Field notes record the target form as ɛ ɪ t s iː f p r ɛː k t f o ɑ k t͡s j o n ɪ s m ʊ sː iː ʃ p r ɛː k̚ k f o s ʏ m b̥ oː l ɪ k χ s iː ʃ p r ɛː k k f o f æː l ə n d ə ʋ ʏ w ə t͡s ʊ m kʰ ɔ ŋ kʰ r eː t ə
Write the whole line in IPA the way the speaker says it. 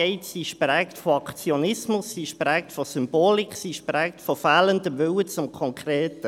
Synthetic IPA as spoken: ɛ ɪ t s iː ʃ p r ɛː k t f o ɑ k t͡s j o n ɪ s m ʊ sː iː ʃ p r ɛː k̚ t f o s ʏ m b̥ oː l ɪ k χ s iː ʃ p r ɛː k t f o f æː l ə n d ə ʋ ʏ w ə t͡s ʊ m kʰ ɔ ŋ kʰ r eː t ə